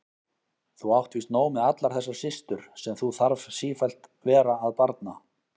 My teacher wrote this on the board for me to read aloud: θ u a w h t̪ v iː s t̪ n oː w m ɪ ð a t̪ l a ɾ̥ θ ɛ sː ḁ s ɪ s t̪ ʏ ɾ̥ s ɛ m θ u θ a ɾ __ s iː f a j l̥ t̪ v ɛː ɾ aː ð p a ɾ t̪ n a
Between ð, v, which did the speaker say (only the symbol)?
v